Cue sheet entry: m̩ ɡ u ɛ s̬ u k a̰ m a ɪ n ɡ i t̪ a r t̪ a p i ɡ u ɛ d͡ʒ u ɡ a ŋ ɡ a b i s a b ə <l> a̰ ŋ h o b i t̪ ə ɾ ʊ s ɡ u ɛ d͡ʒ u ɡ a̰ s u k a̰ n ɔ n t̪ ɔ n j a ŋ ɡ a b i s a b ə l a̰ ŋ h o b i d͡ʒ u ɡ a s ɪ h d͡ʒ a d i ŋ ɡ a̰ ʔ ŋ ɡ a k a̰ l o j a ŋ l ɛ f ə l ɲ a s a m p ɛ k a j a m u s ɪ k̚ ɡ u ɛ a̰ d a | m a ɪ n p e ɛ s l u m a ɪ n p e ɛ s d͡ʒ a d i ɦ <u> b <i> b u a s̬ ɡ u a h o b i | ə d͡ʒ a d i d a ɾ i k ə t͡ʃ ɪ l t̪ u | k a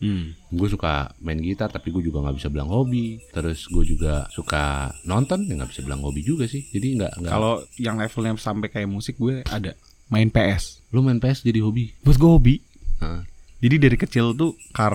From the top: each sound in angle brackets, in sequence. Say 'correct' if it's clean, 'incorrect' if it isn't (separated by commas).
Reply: correct, incorrect, correct